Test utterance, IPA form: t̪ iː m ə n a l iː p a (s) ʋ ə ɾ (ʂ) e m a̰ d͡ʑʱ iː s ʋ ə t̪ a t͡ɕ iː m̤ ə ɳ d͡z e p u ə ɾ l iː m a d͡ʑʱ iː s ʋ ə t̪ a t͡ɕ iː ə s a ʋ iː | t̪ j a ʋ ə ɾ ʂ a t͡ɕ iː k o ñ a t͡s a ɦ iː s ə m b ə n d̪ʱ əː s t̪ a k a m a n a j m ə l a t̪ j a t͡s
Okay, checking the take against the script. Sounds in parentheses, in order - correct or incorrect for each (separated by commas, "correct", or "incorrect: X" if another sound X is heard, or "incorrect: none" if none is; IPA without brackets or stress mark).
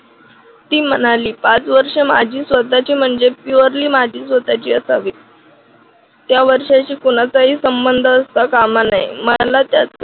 incorrect: t͡s, correct